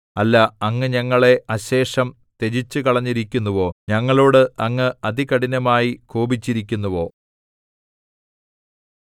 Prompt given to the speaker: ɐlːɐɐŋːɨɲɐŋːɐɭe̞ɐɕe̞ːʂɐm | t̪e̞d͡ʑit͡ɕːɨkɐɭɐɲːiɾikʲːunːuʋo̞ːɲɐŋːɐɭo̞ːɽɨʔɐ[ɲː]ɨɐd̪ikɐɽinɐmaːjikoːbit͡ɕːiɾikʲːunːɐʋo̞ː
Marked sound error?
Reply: yes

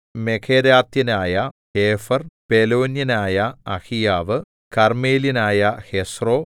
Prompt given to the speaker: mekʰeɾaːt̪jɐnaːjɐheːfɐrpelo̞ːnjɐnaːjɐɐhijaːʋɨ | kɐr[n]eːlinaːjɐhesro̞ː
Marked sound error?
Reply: yes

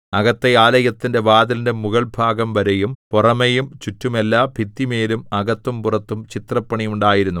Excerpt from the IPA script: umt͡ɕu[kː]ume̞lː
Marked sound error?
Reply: yes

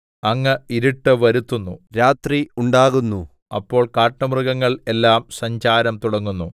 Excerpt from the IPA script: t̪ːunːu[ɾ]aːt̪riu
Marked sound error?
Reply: no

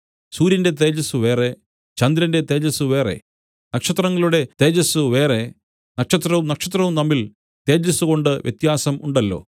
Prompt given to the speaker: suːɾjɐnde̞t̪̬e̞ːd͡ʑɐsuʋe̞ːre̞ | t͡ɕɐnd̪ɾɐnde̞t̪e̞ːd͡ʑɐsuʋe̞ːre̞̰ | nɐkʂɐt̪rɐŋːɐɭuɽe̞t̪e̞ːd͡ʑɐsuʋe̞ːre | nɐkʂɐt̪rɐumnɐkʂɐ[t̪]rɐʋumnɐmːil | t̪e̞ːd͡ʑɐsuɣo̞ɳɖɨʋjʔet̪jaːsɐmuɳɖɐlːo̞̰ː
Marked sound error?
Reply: no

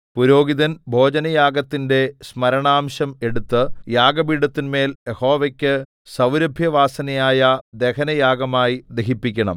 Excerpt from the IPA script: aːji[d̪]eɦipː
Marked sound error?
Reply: no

